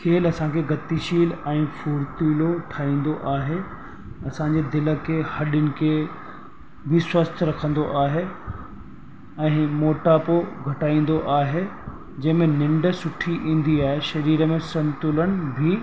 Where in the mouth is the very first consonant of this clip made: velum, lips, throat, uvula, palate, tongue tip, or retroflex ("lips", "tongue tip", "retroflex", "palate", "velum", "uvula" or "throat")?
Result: velum